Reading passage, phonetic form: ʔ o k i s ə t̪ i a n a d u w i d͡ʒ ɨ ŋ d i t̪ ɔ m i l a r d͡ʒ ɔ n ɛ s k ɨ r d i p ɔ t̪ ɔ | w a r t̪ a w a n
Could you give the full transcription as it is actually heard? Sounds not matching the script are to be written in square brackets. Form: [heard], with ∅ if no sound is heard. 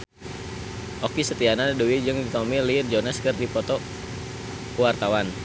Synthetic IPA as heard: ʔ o k i s ə t̪ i a n a d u w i d͡ʒ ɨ ŋ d i t̪ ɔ m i l [i] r d͡ʒ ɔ n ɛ s k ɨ r d i p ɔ t̪ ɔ | w a r t̪ a w a n